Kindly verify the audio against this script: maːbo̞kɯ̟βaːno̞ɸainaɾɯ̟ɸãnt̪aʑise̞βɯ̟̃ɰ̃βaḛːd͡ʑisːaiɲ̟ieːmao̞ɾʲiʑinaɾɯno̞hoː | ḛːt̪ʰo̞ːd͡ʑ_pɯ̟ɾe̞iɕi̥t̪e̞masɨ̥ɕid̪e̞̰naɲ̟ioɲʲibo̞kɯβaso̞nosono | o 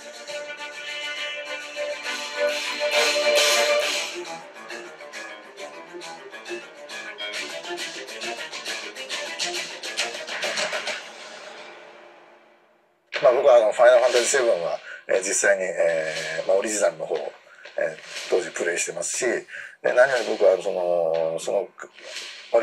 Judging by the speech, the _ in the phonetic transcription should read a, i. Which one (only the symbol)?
i